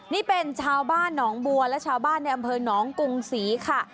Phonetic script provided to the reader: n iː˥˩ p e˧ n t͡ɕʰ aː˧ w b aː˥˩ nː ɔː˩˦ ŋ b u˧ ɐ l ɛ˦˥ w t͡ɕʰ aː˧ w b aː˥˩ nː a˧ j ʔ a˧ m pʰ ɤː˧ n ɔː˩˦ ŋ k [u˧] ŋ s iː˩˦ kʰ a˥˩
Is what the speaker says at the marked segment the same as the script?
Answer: yes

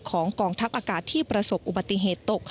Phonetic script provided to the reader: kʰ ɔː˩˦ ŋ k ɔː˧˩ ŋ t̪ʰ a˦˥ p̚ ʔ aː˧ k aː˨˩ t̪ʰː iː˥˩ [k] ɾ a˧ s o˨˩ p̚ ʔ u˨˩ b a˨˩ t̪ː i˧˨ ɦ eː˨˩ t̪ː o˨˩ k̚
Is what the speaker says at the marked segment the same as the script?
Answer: no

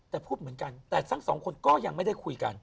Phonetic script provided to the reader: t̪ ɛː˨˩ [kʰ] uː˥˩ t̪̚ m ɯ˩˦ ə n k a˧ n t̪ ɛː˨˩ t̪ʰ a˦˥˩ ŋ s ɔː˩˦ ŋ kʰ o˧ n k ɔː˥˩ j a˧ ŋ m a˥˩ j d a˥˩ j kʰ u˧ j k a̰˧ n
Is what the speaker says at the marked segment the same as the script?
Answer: no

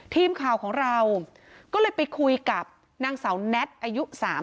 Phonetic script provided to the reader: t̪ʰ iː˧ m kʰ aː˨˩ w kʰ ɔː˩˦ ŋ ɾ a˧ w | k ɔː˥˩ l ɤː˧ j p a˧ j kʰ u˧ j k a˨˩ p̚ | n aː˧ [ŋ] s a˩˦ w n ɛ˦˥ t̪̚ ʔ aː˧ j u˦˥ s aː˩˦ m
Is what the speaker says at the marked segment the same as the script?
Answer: yes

